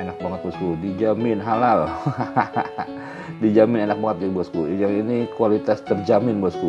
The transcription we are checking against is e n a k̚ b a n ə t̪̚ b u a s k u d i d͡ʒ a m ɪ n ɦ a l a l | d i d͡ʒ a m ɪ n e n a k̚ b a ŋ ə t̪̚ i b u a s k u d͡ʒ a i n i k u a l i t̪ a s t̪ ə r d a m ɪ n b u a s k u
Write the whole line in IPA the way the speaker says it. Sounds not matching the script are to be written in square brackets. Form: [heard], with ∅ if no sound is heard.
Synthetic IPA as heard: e n a k̚ b a [ŋ] ə t̪̚ b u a s k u d i d͡ʒ a m ɪ n ɦ a l a l | d i d͡ʒ a m ɪ n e n a k̚ b a ŋ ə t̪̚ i b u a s k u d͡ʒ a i n i k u a l i t̪ a s t̪ ə r [d͡ʒ] a m ɪ n b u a s k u

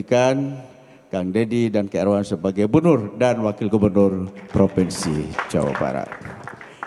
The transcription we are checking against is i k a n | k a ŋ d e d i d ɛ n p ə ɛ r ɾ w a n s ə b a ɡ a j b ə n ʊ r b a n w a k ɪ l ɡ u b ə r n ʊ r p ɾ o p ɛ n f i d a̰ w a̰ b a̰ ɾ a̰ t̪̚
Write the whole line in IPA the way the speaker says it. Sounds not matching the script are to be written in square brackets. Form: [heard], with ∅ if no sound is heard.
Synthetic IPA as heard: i k a n | k a ŋ d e d i d [a] n [k] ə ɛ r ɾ w a n s ə b a ɡ a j b ə n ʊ r [d] a n w a k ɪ l ɡ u b ə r n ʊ r p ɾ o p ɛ n [s] i [d͡ʒ] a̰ w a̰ b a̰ ɾ a̰ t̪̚

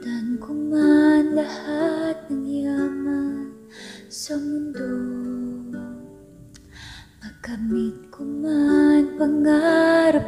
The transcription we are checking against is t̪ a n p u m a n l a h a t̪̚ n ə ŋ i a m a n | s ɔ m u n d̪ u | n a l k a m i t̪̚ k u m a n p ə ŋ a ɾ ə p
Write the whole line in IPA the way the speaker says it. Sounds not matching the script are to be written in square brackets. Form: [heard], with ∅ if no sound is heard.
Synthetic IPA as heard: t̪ a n [k] u m a n l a h a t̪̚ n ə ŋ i a m a n | s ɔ m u n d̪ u | [m] a [∅] k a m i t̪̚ k u m a n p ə ŋ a ɾ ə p

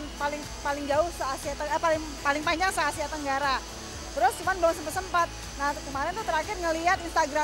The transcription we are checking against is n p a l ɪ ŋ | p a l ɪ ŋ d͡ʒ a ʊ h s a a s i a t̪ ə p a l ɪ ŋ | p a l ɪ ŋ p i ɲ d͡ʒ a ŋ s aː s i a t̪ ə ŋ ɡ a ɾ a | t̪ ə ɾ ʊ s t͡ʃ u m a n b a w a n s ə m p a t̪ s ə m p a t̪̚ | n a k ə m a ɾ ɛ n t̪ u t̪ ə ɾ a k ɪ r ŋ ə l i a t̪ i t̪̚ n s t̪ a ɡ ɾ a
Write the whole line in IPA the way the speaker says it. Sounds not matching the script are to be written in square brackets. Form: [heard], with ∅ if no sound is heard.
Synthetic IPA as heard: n p a l ɪ ŋ | p a l ɪ ŋ d͡ʒ a ʊ h s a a s i a t̪ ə p a l ɪ ŋ | p a l ɪ ŋ p [a] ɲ d͡ʒ a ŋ s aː s i a t̪ ə ŋ ɡ a ɾ a | t̪ ə ɾ ʊ s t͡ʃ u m a n b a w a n s ə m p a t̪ s ə m p a t̪̚ | n a k ə m a ɾ ɛ n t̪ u t̪ ə ɾ a k ɪ r ŋ ə l i a t̪ i [∅] n s t̪ a ɡ ɾ a

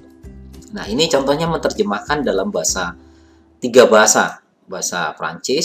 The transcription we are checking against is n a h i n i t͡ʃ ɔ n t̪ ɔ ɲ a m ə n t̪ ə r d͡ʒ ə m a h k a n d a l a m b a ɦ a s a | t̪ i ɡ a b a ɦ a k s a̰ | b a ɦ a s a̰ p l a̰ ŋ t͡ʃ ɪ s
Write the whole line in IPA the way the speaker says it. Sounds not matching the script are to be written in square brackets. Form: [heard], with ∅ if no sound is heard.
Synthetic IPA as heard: n a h i n i t͡ʃ ɔ n t̪ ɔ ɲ a m ə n t̪ ə r d͡ʒ ə m a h k a n d a l a m b a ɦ a s a | t̪ i ɡ a b a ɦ a [∅] s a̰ | b a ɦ a s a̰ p [ɾ] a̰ [ɲ] t͡ʃ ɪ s

